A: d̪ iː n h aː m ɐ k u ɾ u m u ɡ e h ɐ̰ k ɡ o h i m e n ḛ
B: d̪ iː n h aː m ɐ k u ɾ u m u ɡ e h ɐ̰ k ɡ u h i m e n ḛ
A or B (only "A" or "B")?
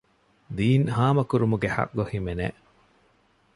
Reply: A